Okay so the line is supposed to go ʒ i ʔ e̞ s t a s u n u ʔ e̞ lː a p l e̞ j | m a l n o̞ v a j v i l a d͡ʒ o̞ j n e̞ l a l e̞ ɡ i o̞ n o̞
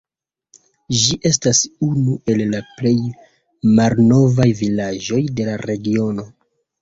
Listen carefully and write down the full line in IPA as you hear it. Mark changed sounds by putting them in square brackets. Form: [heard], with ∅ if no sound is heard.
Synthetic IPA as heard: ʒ i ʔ e̞ s t a s u n u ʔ e̞ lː a p l e̞ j | m a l n o̞ v a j v i l a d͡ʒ o̞ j [d] e̞ l a [ɾ] e̞ ɡ i o̞ n o̞